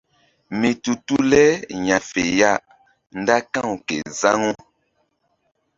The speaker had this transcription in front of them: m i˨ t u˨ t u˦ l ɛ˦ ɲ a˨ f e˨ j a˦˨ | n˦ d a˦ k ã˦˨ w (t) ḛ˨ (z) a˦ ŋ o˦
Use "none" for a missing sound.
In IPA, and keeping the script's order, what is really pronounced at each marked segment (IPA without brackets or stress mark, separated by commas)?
k, z